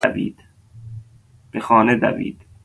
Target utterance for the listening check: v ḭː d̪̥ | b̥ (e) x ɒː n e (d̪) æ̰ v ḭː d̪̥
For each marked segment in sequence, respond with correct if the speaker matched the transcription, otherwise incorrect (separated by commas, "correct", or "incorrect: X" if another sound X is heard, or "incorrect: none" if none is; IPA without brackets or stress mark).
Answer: correct, correct